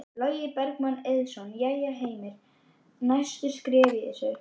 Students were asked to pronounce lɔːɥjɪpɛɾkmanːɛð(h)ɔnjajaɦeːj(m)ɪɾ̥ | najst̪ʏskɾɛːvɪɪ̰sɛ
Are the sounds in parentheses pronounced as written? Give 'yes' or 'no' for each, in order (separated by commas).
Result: no, yes